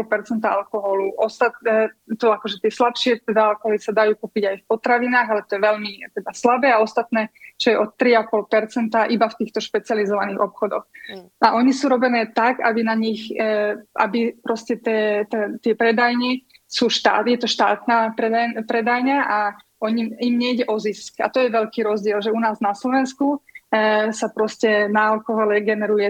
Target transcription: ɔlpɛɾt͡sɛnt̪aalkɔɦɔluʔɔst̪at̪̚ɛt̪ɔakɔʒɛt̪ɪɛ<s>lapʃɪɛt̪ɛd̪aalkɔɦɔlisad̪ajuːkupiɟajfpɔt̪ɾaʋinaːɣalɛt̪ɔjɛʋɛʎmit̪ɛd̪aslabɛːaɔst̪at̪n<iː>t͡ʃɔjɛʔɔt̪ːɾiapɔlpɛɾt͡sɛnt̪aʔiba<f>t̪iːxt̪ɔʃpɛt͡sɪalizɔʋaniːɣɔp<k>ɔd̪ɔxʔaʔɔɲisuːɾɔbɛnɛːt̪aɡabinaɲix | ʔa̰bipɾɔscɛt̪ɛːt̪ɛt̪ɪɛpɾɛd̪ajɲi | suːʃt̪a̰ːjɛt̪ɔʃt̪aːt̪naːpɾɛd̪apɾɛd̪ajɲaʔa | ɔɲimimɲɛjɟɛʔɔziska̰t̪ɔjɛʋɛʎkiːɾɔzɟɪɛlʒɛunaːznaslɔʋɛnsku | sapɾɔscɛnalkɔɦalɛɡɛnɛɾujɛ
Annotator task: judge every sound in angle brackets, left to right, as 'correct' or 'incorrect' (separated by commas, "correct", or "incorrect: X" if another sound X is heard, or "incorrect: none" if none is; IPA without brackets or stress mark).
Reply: correct, incorrect: ɛː, correct, incorrect: x